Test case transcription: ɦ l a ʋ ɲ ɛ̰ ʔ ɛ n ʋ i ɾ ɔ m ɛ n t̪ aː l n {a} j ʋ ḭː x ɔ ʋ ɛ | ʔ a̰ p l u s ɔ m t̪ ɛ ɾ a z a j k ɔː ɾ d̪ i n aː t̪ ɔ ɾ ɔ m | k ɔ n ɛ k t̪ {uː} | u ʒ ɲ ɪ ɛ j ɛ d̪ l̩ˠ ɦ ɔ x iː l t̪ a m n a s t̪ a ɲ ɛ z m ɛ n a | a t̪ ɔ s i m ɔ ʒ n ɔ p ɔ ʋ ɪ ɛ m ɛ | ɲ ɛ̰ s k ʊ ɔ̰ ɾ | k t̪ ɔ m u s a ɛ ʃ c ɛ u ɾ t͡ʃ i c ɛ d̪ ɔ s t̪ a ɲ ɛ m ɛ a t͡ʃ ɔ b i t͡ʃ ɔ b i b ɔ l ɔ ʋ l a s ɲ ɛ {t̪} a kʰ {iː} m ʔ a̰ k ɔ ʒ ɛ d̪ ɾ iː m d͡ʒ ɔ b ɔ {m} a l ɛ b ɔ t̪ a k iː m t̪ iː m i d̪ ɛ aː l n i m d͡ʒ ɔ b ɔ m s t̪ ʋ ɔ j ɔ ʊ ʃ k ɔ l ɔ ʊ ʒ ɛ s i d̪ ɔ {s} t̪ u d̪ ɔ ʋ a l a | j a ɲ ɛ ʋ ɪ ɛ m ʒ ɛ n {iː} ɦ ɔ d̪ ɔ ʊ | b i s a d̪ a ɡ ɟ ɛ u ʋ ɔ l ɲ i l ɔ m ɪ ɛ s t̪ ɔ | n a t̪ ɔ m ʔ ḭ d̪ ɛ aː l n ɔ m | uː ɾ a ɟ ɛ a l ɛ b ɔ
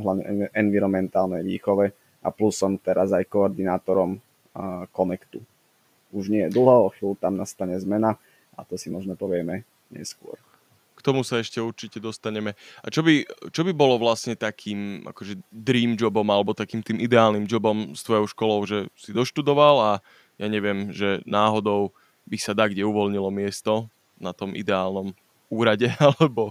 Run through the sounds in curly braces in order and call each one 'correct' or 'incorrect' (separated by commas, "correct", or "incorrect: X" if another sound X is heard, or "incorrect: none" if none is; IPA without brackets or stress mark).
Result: incorrect: ɛ, incorrect: u, correct, correct, correct, incorrect: ʃ, incorrect: aː